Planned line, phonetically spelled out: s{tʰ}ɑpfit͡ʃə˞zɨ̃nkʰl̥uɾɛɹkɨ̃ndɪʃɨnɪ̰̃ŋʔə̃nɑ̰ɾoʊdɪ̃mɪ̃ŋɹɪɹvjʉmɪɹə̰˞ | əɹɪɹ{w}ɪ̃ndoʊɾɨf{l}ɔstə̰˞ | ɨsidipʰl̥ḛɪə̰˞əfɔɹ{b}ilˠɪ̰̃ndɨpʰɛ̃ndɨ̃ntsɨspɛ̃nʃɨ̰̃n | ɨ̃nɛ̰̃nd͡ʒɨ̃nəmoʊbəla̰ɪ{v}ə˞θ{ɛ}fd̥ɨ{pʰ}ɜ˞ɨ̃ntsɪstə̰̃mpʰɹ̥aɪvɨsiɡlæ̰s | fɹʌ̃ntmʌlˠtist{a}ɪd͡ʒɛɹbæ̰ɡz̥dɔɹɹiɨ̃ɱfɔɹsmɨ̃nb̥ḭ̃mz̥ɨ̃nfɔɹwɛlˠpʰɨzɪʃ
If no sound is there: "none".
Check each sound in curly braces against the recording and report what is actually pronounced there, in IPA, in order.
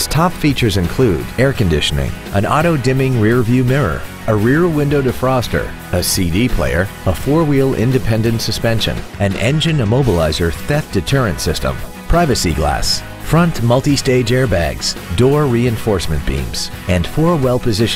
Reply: tʰ, w, ɹ, w, z, ɛ, tʰ, e

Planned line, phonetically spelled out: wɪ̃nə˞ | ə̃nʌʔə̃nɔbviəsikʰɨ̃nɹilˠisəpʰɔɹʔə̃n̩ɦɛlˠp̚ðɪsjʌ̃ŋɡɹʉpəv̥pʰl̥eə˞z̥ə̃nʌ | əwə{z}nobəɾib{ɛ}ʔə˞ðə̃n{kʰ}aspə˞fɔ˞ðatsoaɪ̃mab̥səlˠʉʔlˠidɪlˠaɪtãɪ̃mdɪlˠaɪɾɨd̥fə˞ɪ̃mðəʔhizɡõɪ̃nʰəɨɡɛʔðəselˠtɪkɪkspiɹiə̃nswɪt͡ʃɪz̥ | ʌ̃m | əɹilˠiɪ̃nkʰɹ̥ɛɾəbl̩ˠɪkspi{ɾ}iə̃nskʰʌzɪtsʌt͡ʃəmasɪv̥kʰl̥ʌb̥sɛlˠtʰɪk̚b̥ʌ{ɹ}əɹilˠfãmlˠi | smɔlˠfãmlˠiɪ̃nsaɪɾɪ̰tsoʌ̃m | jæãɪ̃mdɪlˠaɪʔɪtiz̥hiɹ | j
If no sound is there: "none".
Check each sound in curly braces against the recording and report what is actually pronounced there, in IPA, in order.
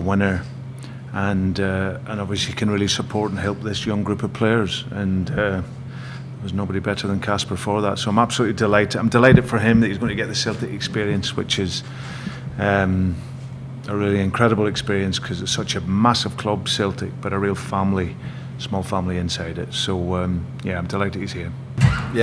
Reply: z, ɛ, kʰ, ɹ, ɾ

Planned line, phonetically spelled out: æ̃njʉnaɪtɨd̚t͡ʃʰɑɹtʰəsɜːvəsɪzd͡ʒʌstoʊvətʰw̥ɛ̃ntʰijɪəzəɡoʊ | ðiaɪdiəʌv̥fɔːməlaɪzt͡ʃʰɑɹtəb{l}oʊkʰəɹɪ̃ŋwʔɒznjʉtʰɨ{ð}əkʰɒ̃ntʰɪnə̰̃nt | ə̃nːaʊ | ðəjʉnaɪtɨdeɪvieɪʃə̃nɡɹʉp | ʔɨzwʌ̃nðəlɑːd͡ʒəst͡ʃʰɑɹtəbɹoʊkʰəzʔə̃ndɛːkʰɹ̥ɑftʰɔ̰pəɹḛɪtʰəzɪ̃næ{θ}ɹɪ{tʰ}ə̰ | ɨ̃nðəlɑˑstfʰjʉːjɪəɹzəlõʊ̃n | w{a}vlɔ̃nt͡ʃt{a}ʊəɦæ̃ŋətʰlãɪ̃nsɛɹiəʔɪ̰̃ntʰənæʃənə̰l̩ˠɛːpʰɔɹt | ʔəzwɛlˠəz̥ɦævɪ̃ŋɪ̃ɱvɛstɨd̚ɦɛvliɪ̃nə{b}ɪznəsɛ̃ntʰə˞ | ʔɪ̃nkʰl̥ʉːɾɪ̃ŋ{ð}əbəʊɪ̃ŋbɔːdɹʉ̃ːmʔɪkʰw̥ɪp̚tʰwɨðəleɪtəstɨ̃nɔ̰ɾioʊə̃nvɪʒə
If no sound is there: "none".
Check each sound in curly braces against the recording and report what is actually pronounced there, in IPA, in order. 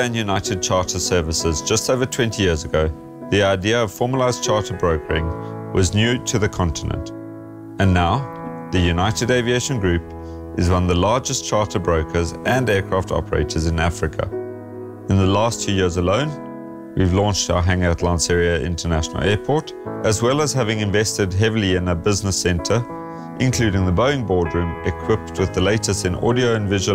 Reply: ɹ, ð, f, kʰ, i, a, b, ð

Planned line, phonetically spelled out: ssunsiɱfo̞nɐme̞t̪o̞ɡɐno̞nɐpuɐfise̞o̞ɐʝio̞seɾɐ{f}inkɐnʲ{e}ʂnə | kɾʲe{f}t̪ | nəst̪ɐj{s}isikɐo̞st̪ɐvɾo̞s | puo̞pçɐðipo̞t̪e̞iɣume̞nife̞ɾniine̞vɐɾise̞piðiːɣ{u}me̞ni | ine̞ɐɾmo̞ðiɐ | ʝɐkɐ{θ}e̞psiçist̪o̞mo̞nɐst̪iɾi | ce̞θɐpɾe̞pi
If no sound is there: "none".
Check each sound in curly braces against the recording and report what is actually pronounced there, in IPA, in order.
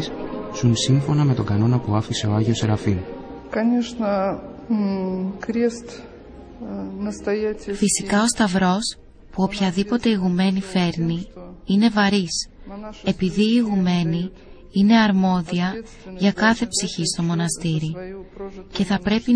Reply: f, e, s, f, u, θ

